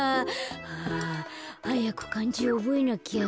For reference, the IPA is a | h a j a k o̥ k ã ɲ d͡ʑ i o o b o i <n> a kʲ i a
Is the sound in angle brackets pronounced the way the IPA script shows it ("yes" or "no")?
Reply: yes